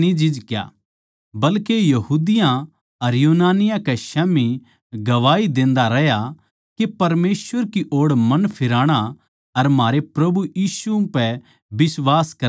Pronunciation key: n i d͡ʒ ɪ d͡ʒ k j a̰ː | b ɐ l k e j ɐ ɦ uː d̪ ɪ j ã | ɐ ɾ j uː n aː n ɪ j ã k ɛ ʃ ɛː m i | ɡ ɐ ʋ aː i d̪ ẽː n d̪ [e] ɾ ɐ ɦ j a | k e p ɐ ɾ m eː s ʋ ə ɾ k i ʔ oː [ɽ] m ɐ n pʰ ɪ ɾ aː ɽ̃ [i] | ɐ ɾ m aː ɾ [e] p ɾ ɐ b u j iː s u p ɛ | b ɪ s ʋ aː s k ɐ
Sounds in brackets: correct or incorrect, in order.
incorrect: a, correct, incorrect: a, correct

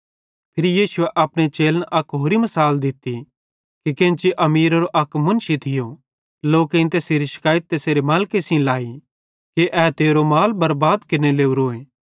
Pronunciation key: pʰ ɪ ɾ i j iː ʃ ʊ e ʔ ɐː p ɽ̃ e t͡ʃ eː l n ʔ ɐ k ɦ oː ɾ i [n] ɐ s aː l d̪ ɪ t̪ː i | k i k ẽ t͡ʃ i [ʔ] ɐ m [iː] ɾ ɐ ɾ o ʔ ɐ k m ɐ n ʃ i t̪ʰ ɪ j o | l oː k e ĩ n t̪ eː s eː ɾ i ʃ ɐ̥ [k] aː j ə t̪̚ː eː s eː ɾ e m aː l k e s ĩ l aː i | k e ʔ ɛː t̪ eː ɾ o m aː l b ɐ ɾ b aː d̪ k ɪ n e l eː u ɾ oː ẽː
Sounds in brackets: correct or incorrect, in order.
incorrect: m, correct, correct, correct

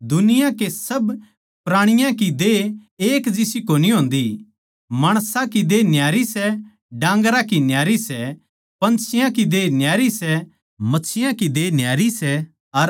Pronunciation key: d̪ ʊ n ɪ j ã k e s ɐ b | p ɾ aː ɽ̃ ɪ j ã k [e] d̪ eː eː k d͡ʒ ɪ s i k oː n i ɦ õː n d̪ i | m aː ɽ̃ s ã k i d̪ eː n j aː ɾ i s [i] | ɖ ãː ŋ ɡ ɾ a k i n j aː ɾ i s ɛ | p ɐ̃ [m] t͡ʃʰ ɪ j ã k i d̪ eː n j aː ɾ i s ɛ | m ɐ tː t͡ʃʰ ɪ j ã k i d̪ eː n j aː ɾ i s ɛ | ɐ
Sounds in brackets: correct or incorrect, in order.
incorrect: i, incorrect: ɛ, incorrect: n

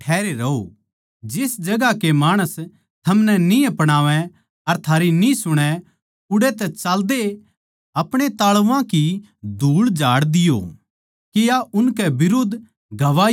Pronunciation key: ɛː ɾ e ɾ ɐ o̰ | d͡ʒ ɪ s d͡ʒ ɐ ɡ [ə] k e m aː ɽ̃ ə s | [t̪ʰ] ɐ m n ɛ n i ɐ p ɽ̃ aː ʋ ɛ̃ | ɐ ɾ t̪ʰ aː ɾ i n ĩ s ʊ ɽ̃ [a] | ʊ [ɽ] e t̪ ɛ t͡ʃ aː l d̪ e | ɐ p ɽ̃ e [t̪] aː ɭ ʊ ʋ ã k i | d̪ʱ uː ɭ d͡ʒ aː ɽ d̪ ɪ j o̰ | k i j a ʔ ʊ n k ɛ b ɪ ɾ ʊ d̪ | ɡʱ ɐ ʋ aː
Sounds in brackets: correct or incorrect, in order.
incorrect: a, correct, incorrect: ɛ, correct, correct

